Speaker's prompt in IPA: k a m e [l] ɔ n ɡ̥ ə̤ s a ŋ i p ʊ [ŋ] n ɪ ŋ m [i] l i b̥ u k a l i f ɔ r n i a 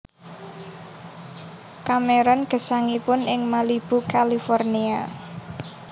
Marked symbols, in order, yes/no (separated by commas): no, no, no